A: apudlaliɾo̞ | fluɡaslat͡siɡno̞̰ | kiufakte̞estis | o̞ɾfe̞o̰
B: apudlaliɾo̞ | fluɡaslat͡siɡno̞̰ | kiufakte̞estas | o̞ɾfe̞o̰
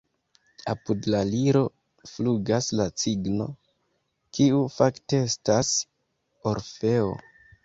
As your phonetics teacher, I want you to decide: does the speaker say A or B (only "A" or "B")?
B